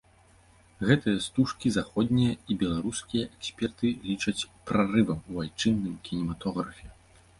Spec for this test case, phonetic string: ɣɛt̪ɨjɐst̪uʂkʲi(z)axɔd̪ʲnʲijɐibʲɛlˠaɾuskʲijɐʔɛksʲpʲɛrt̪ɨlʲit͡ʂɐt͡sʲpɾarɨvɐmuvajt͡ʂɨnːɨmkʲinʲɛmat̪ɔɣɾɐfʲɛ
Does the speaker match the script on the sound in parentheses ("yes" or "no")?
yes